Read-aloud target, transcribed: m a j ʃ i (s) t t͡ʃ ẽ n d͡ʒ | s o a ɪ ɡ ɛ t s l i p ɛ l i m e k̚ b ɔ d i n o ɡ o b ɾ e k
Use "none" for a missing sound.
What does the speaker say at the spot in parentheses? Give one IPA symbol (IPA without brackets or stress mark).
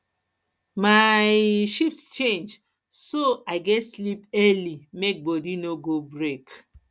f